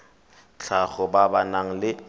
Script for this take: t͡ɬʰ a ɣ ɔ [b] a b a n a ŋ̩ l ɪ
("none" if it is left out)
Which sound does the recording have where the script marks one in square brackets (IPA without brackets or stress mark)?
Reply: b